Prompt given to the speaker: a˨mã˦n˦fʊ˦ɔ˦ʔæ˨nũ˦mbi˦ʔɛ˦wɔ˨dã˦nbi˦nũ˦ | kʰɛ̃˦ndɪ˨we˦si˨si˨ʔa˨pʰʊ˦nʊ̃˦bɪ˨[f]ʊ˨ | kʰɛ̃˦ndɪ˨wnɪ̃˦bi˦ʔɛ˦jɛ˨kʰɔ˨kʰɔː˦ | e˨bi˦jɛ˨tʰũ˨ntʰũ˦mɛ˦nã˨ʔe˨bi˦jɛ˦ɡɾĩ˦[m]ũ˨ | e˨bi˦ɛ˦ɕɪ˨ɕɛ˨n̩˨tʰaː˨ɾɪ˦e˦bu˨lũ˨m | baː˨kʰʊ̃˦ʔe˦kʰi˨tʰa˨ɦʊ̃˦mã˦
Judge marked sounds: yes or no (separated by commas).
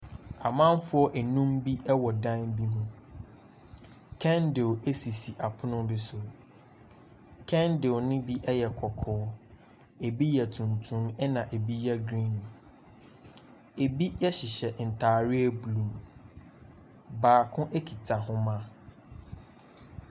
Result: no, no